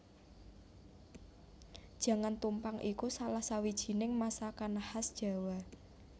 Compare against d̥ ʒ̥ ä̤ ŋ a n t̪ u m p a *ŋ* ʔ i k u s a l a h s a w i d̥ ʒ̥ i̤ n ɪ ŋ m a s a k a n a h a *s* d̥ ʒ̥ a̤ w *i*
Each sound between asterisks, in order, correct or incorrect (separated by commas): correct, correct, incorrect